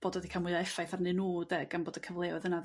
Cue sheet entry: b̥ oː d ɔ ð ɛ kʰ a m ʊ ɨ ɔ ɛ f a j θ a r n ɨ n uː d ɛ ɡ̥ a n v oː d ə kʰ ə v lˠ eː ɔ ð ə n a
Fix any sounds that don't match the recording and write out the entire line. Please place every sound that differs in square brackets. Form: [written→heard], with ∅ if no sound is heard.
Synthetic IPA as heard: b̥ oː d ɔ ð [ɛ→i] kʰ a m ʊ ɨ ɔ ɛ f a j θ a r n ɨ n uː d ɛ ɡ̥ a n [v→b] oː d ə kʰ ə v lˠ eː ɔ ð ə n a